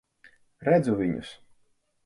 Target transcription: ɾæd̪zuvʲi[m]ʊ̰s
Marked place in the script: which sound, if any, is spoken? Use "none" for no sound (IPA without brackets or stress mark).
ɲ